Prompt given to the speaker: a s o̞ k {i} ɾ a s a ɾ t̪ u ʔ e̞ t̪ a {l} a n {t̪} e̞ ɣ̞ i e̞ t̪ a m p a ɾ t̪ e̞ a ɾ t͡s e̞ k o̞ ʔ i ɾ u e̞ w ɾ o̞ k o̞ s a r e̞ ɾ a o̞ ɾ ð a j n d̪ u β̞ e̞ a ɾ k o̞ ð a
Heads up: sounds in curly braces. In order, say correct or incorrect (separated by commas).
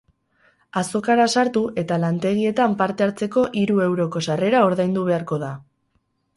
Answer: incorrect, correct, correct